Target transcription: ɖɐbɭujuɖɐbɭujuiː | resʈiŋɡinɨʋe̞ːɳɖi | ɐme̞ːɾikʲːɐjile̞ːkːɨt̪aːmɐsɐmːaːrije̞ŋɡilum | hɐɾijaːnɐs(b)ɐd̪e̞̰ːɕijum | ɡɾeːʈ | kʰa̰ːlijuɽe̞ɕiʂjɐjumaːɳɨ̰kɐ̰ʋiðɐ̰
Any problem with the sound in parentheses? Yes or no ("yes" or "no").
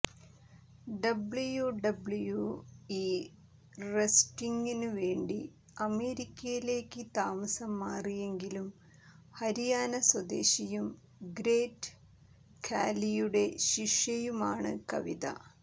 yes